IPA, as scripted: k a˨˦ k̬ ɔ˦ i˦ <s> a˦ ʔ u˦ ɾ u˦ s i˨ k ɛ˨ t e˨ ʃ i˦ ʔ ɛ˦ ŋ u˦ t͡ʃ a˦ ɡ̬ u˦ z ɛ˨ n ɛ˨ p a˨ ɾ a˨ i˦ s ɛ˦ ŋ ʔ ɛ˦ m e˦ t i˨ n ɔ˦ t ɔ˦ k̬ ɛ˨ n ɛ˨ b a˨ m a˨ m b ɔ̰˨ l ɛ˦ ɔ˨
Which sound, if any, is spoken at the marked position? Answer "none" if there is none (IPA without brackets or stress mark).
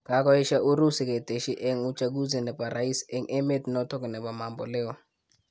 ʃ